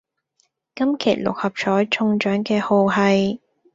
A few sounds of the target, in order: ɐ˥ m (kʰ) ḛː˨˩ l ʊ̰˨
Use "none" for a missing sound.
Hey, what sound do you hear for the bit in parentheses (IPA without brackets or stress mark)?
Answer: kʰ